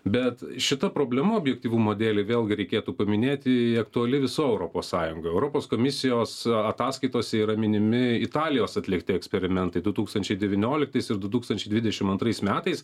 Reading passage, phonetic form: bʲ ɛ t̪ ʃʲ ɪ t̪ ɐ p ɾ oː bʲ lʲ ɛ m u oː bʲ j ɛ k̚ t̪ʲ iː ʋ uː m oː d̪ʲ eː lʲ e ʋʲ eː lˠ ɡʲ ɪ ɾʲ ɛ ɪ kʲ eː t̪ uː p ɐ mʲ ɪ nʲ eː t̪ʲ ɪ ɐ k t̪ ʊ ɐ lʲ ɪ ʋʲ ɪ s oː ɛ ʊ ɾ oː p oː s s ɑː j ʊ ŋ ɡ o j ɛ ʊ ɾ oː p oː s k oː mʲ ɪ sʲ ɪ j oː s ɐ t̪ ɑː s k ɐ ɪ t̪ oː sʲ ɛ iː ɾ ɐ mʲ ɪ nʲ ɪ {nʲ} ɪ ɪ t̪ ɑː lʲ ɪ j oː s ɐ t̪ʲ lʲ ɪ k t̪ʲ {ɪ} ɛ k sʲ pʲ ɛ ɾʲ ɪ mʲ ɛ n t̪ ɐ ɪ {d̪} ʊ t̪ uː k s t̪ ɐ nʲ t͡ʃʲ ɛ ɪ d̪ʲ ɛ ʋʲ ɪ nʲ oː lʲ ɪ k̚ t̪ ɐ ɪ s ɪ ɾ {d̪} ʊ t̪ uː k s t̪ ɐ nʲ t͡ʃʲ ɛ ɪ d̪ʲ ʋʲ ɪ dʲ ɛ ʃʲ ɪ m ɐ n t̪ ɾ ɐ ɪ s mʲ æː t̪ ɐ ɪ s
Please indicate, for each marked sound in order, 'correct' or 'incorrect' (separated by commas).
incorrect, correct, correct, correct